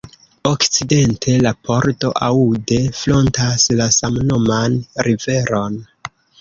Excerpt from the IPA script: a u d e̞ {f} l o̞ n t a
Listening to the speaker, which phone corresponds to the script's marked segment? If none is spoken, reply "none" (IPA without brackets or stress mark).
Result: f